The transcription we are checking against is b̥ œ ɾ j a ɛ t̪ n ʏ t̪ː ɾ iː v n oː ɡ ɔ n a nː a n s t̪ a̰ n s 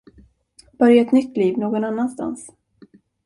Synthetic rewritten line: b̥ œ ɾ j a ɛ t̪ n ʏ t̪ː l iː v n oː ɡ ɔ n a nː a n s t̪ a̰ n s